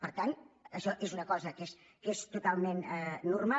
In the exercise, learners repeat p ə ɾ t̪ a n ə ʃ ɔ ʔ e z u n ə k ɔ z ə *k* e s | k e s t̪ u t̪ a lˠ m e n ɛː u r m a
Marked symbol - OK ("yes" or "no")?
yes